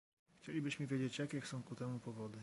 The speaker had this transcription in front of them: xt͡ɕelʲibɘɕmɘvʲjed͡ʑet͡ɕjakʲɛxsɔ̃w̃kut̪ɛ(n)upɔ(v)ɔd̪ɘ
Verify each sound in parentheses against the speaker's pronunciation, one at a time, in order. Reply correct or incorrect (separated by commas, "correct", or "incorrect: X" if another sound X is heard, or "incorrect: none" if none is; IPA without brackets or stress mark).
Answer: incorrect: m, correct